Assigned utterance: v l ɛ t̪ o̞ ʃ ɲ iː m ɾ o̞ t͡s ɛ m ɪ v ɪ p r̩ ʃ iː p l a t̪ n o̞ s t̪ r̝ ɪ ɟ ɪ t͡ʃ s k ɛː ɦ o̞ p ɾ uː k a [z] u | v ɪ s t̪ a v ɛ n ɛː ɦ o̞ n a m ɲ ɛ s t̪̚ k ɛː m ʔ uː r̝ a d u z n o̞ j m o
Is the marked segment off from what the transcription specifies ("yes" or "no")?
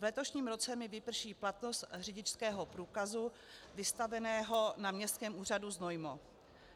no